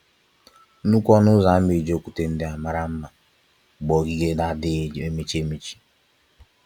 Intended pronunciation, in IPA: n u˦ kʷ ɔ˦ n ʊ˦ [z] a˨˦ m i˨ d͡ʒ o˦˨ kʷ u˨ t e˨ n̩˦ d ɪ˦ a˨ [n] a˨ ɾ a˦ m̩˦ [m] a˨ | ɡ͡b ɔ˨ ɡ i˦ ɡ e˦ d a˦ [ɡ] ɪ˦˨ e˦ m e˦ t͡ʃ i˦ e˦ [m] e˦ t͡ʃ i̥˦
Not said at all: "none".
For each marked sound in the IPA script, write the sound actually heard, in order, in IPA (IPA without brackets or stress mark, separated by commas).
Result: z, m, m, d, m